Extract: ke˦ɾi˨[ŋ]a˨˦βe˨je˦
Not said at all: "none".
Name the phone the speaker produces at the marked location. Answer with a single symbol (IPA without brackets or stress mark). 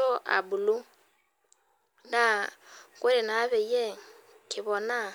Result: n